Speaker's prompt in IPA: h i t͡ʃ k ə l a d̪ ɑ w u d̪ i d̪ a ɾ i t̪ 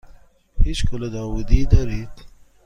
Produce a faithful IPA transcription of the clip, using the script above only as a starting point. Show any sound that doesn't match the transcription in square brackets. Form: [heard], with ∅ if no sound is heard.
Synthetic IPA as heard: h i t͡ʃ k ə l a d̪ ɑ w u d̪ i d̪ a ɾ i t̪